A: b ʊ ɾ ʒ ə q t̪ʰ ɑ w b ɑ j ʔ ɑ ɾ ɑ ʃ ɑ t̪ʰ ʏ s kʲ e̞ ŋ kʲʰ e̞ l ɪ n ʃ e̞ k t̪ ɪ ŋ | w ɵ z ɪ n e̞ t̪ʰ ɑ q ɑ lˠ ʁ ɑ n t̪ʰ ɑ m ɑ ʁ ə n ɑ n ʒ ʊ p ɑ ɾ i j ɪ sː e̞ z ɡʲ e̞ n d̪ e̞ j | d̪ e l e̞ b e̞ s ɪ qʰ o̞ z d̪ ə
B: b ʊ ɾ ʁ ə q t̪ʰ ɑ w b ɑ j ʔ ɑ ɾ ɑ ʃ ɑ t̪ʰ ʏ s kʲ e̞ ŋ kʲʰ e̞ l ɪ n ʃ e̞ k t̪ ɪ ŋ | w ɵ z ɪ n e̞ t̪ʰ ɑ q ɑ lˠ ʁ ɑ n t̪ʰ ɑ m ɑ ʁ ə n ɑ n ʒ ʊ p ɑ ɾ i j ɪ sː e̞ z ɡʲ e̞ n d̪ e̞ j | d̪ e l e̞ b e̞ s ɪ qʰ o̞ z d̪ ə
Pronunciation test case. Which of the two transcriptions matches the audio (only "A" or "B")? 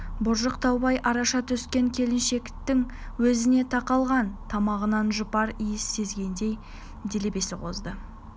A